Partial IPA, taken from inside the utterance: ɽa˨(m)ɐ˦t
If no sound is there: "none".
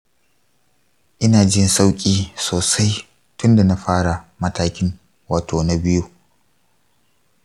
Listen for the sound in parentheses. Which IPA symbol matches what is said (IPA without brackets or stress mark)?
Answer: m